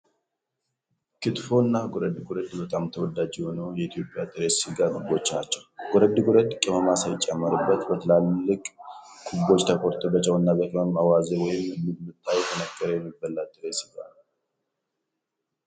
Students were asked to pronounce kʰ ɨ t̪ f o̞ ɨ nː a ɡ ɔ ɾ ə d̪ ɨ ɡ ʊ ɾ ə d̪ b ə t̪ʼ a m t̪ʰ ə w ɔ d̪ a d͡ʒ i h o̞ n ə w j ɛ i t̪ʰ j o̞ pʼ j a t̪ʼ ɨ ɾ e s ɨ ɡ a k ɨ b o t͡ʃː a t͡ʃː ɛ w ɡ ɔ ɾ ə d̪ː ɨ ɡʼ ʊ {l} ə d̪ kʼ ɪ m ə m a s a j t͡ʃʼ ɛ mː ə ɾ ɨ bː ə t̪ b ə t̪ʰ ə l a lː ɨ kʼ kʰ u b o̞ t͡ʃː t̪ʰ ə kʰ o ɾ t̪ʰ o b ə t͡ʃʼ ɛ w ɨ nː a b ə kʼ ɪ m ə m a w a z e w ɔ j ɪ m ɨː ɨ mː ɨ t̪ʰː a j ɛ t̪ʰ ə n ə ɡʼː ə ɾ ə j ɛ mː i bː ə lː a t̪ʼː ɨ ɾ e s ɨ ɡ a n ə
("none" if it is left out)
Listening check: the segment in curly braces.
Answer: ɾ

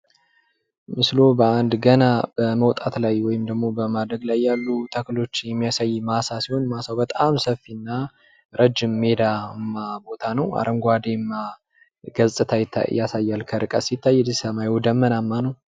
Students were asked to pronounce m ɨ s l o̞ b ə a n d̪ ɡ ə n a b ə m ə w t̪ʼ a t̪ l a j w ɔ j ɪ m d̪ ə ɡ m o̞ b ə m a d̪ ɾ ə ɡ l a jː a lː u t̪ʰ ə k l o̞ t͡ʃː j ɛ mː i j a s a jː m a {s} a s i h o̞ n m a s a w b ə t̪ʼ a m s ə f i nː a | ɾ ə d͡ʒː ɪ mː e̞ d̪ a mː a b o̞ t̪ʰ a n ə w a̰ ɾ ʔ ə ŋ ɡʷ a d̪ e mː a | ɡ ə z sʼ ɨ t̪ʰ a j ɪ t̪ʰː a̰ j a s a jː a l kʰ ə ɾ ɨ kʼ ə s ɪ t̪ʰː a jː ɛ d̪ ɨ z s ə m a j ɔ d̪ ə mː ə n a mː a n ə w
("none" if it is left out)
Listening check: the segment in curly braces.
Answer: s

